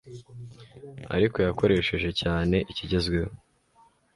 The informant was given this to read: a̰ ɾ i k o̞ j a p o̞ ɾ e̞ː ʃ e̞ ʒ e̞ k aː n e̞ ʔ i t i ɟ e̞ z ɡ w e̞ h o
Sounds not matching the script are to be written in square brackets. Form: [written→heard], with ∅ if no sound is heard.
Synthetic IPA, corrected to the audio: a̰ ɾ i k o̞ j a [p→k] o̞ ɾ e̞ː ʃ e̞ ʒ e̞ [k→c] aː n e̞ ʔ i [t→c] i ɟ e̞ z ɡ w e̞ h o